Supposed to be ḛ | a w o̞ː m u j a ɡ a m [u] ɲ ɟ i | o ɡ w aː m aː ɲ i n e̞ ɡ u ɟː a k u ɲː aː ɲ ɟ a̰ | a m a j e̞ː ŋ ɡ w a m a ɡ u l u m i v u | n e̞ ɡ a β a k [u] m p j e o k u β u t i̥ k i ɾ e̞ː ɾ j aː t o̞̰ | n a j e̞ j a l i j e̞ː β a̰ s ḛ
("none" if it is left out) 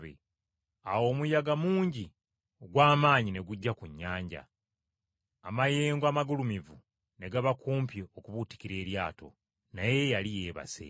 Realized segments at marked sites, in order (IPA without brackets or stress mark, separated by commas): uː, uː